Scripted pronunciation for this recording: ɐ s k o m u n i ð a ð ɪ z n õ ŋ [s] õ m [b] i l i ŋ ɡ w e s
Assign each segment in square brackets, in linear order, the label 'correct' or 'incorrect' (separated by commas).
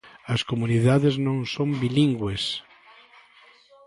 correct, correct